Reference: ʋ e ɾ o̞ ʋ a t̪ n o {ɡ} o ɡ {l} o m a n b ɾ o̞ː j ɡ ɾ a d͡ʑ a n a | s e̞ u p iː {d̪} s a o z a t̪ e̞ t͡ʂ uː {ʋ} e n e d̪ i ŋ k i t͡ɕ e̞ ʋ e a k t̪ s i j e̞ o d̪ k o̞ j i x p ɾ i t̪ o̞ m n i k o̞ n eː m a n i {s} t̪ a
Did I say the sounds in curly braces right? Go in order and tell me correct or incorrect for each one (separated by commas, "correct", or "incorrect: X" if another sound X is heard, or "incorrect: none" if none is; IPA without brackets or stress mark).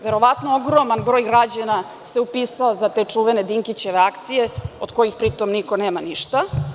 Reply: incorrect: none, incorrect: ɾ, incorrect: none, correct, incorrect: ʃ